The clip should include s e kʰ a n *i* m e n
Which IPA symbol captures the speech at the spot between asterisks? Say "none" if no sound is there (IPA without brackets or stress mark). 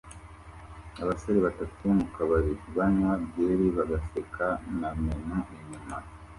a